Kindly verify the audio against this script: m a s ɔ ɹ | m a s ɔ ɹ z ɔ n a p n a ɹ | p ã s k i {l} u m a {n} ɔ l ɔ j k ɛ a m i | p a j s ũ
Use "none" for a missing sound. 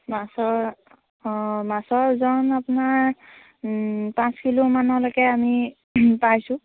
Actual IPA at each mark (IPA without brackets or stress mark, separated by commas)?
l, n